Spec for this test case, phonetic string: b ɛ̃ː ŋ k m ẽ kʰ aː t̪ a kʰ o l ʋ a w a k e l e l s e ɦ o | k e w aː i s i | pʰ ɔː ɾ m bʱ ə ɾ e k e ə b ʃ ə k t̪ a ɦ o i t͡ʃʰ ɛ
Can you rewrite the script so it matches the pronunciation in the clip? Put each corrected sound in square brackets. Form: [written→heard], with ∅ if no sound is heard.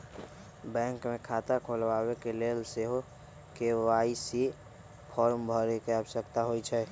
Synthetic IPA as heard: b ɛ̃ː ŋ k m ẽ kʰ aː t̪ a kʰ o l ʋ a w [a→e] k e l e l s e ɦ o | k e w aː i s i | pʰ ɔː ɾ m bʱ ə ɾ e k e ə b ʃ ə k t̪ a ɦ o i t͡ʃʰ ɛ